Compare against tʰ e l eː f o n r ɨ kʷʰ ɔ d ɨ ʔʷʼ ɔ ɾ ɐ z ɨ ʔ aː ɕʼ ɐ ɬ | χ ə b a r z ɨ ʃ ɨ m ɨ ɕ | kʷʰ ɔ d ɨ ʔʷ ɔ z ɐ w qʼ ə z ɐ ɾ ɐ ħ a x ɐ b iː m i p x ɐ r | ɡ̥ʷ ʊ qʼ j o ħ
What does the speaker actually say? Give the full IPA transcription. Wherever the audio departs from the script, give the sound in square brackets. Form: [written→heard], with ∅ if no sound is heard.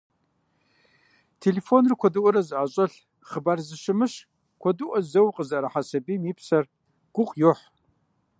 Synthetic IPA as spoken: tʰ e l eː f o n r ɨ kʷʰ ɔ d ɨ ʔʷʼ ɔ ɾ ɐ z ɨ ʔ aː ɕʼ ɐ ɬ | χ ə b a r z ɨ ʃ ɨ m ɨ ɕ | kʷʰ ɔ d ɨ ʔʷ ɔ z ɐ w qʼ ə z ɐ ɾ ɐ ħ a [x→s] ɐ b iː m i p [x→s] ɐ r | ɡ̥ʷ ʊ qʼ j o ħ